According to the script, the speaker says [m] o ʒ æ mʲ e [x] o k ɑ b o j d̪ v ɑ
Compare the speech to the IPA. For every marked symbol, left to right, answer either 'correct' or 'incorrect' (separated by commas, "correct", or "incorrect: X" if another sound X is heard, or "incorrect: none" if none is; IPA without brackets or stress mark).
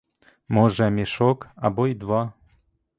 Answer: correct, incorrect: ʃ